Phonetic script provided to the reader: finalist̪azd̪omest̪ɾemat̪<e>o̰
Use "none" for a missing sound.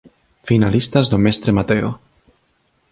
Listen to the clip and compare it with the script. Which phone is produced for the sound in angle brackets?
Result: e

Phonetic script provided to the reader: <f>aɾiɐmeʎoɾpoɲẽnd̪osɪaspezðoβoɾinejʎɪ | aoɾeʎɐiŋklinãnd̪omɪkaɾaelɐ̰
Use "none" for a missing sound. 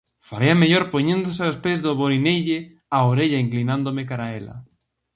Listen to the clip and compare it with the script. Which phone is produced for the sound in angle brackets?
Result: f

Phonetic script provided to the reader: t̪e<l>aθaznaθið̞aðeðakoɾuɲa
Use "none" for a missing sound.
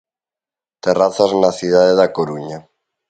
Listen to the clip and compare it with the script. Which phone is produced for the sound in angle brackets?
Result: r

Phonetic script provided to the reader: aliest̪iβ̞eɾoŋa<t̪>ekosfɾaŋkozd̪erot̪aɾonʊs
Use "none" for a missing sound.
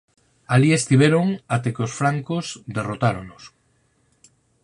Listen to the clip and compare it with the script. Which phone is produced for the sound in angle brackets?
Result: t̪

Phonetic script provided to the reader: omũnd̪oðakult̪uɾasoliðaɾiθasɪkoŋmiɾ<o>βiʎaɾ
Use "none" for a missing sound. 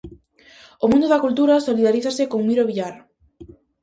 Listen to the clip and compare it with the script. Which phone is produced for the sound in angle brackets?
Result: o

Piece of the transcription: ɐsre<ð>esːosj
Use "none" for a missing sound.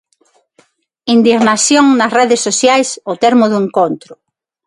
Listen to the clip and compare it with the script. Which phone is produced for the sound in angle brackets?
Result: ð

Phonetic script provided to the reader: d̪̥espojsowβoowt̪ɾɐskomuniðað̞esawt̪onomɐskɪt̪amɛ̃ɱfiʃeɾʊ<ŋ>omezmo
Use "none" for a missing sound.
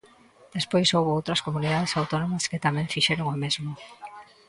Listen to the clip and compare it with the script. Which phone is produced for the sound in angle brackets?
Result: ŋ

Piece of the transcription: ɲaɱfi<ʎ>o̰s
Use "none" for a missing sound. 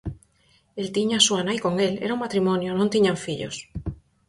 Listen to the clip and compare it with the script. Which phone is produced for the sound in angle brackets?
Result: ʎ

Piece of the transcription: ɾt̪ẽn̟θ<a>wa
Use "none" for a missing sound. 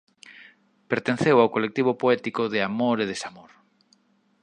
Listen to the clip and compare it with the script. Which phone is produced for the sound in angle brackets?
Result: e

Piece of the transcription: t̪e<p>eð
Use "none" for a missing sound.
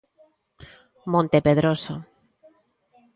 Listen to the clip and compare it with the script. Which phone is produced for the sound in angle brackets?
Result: p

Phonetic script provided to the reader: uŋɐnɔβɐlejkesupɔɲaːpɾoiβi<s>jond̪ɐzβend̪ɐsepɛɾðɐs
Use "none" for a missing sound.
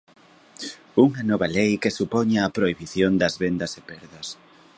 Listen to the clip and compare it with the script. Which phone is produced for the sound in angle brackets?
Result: θ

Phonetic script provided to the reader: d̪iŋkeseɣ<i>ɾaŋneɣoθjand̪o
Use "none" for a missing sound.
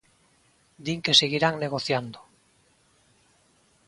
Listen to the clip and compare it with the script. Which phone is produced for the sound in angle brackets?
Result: i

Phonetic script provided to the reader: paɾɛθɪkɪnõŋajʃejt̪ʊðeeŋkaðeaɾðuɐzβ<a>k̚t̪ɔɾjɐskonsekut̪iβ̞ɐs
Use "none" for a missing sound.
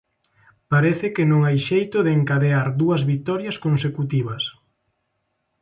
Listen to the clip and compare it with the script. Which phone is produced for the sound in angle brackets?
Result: i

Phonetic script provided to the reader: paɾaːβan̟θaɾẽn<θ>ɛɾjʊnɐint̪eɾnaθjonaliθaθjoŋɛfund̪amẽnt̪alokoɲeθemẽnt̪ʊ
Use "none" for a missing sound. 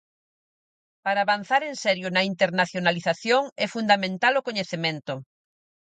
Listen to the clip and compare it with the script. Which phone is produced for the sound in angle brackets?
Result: s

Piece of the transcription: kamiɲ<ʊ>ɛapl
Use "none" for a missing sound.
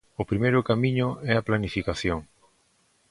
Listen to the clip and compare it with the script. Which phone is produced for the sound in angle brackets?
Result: ʊ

